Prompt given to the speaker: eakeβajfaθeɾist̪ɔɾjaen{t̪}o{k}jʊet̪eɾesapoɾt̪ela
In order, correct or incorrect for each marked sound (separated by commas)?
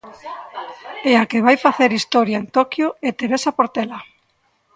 correct, correct